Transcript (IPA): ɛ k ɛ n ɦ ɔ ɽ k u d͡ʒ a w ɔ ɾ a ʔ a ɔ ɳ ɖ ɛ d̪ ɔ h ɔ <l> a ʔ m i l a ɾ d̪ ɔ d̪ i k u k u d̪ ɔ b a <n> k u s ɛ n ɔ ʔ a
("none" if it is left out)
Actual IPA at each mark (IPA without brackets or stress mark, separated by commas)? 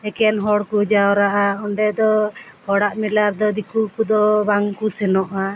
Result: ɽ, ŋ